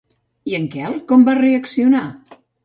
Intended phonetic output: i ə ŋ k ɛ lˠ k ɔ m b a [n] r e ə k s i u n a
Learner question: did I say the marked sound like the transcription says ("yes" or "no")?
no